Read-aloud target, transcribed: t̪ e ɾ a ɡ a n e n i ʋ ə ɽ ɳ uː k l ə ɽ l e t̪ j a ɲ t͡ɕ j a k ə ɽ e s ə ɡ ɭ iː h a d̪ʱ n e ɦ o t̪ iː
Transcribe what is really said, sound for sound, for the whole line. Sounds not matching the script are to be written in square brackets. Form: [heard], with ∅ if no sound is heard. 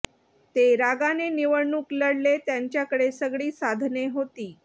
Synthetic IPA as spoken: t̪ e ɾ a ɡ a n e n i ʋ ə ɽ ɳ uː k l ə ɽ l e t̪ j a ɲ t͡ɕ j a k ə ɽ e s ə ɡ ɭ iː [s] a d̪ʱ n e ɦ o t̪ iː